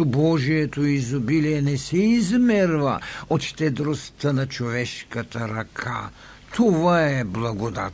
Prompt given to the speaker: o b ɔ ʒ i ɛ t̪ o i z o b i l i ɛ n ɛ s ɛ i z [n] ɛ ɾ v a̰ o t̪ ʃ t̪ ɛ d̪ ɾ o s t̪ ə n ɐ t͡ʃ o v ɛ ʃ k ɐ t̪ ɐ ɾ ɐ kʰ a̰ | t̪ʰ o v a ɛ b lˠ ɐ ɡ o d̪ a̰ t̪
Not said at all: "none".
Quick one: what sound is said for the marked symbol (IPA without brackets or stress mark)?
m